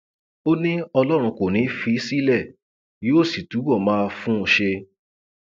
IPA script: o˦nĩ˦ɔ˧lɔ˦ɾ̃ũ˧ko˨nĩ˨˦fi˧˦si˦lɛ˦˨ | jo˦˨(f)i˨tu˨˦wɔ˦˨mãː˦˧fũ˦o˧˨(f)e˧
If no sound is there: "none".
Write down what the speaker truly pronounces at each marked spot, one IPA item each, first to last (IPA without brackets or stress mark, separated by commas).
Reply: s, ʃ